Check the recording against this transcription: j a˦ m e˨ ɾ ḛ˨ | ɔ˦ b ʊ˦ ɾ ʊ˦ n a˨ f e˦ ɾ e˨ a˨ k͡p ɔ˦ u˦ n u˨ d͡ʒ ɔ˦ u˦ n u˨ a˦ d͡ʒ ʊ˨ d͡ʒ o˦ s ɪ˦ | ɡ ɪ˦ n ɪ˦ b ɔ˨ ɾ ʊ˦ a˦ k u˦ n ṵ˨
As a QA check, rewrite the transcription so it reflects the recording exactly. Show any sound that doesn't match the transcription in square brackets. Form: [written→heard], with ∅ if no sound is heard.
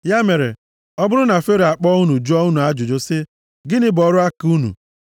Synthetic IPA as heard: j a˦ m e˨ ɾ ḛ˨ | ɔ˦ b ʊ˦ ɾ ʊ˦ n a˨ f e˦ ɾ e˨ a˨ k͡p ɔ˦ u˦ n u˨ d͡ʒ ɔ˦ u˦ n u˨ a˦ d͡ʒ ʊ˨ d͡ʒ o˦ s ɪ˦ | ɡ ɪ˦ n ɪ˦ b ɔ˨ ɾ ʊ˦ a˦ k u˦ n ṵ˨